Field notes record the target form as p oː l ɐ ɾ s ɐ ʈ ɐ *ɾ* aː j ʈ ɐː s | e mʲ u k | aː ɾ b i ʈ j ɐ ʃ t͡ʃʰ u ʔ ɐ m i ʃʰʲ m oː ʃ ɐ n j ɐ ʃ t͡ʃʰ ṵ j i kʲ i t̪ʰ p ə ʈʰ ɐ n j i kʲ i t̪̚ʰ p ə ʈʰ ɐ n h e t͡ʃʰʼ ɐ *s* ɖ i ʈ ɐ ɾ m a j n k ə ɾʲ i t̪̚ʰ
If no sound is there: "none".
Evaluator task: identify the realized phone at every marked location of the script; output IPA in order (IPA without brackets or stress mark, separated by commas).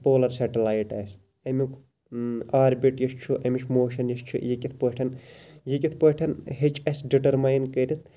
l, s